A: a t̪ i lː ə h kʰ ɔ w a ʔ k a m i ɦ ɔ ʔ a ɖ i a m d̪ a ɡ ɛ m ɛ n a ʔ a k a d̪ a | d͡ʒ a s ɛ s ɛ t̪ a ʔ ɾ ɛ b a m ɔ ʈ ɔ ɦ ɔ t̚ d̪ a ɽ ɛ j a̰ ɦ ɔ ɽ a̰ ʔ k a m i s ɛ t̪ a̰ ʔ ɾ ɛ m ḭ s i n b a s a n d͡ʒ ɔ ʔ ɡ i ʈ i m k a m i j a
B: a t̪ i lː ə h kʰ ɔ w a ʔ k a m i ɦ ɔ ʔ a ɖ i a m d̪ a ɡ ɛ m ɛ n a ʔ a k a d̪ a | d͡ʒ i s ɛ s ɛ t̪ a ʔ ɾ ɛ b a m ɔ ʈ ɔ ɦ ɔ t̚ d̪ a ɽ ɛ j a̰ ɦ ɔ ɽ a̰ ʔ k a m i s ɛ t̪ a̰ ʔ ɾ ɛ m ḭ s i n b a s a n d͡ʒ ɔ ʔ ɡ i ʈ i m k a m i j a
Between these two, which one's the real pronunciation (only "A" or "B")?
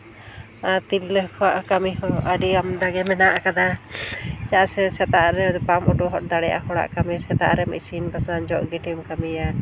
A